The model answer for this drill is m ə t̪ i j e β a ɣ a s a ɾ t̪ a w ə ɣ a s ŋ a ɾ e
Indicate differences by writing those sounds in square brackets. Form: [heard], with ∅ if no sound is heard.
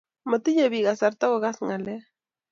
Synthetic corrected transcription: m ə t̪ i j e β [i] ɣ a s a ɾ t̪ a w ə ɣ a s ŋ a [l] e